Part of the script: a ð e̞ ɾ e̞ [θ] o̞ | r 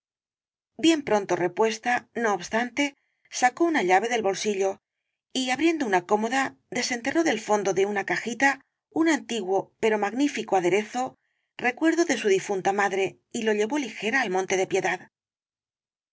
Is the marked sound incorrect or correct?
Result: correct